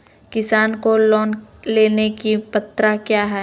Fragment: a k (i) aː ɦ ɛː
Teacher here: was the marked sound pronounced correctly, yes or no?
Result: no